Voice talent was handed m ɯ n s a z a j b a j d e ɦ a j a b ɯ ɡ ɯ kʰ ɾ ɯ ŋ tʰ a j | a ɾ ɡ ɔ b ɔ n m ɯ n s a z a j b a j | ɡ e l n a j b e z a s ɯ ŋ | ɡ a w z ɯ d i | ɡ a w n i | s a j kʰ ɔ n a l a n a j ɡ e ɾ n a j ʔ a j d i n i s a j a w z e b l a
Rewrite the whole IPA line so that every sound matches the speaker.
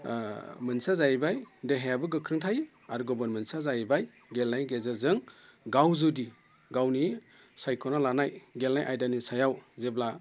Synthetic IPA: m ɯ n s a z a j b a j d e ɦ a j a b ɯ ɡ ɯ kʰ ɾ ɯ ŋ tʰ a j | a ɾ ɡ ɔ b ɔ n m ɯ n s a z a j b a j | ɡ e l n a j ɡ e z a z ɯ ŋ | ɡ a w z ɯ d i | ɡ a w n i | s a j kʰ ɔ n a l a n a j ɡ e l n a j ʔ a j d a n i s a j a w z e b l a